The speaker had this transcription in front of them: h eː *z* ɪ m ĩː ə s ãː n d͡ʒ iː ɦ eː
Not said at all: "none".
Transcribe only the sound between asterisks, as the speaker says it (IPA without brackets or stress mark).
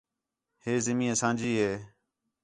z